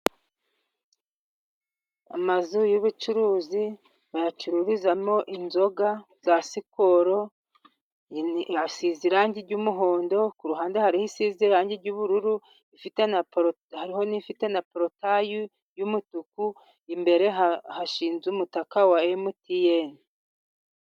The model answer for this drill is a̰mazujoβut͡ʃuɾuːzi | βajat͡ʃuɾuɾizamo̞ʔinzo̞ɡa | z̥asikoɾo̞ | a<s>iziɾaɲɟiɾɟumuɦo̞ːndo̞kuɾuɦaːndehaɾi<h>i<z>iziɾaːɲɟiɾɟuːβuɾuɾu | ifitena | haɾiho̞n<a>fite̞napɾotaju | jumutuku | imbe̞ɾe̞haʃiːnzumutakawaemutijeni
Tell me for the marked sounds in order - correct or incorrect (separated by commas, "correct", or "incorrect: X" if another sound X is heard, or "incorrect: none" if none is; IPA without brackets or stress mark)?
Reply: correct, correct, incorrect: s, incorrect: i